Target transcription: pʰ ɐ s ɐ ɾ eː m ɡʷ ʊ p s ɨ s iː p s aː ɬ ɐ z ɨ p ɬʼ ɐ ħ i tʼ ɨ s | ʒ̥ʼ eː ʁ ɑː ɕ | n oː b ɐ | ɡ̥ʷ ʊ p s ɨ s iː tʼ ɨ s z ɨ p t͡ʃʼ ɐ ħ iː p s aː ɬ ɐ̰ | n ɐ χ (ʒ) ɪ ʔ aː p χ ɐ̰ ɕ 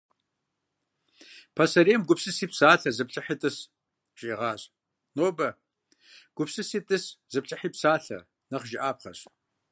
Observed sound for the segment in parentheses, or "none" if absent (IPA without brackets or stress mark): ʒ